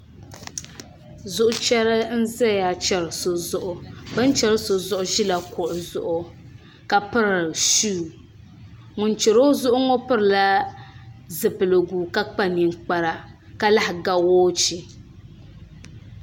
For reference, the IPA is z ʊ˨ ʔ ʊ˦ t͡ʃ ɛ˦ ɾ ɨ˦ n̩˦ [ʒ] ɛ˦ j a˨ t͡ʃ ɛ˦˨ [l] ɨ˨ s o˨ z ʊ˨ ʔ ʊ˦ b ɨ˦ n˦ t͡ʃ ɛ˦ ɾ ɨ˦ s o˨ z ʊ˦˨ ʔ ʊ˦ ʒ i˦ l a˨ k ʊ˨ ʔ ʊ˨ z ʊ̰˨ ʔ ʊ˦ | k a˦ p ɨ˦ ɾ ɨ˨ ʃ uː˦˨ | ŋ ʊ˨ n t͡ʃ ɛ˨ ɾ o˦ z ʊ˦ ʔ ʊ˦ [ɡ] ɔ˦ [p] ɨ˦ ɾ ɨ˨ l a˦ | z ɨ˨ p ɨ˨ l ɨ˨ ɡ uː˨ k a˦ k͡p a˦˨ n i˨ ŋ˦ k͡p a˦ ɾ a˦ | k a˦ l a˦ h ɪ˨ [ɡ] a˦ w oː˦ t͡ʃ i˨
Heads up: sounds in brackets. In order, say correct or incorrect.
incorrect: z, incorrect: ɾ, incorrect: ŋ, correct, correct

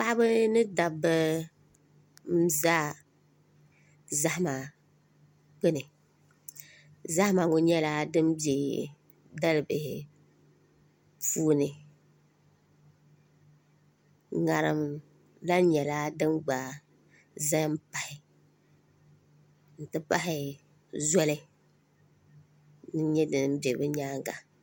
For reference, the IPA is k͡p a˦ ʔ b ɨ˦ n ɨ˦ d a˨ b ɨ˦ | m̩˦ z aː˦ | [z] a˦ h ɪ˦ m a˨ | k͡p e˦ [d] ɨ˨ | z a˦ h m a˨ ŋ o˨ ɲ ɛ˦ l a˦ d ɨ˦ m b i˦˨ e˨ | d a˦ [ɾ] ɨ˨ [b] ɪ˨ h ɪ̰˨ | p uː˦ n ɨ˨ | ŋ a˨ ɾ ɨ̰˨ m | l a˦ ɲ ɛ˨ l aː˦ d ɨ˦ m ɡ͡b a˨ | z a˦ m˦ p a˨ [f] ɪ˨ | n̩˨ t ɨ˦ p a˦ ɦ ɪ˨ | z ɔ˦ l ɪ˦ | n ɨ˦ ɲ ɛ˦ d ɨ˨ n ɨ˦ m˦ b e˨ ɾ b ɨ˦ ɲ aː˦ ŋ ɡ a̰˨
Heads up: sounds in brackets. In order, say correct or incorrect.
correct, incorrect: n, incorrect: l, correct, incorrect: h

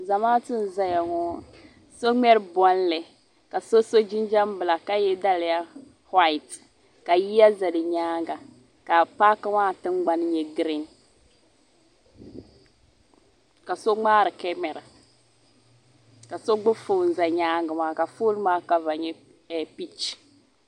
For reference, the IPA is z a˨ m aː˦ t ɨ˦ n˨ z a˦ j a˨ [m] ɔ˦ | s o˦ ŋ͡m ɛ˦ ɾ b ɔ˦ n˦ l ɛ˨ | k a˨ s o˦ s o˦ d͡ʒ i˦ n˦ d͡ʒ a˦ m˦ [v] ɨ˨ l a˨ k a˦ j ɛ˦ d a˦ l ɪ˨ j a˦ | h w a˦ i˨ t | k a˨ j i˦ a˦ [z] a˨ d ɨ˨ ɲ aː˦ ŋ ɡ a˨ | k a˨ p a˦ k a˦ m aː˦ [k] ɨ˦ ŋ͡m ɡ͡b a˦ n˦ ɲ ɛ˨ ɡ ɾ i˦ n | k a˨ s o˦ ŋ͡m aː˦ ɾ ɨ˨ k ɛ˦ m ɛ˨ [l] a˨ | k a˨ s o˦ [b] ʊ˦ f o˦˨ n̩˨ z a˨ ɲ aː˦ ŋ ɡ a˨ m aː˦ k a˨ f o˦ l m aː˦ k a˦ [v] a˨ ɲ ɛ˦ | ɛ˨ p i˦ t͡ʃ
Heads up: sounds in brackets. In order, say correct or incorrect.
incorrect: ŋ, incorrect: b, correct, incorrect: t, incorrect: ɾ, incorrect: ɡ͡b, correct

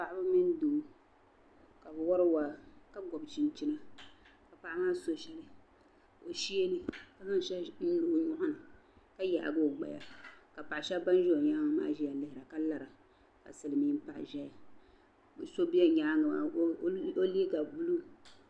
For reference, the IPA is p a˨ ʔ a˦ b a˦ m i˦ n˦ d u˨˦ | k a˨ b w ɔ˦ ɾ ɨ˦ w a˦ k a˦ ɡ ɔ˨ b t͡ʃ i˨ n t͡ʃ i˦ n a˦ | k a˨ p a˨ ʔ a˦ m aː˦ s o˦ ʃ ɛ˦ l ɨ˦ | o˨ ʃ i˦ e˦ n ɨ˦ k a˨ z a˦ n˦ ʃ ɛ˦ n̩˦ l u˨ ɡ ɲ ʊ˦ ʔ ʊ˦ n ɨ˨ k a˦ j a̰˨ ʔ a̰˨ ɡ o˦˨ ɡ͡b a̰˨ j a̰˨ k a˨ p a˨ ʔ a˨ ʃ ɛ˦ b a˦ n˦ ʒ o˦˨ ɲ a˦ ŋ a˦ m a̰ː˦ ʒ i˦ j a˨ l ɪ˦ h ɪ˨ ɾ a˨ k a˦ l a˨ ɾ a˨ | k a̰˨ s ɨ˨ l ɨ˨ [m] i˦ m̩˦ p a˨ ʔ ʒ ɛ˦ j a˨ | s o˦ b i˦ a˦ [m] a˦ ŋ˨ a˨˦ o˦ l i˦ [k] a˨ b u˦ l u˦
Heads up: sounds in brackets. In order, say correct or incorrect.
correct, incorrect: ɲ, incorrect: ɡ

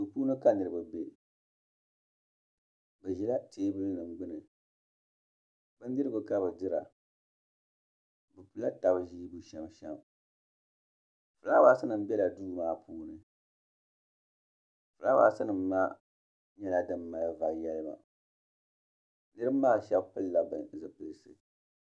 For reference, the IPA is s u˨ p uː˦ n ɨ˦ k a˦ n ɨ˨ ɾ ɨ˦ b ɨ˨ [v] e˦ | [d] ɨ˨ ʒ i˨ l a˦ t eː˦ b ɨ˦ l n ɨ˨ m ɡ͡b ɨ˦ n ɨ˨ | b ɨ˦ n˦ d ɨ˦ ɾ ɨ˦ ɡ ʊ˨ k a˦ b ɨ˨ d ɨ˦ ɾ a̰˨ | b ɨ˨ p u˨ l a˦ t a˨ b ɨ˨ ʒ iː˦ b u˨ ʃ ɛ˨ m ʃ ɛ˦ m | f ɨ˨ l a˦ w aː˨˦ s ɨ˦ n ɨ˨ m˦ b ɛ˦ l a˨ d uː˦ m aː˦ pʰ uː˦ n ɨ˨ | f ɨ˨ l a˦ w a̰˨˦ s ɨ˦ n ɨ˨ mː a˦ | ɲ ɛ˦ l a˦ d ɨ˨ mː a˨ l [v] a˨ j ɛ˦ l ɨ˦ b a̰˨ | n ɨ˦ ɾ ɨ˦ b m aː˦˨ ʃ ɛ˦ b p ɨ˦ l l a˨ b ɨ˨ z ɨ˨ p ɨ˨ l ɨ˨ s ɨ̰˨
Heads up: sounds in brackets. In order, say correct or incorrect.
incorrect: b, incorrect: b, correct

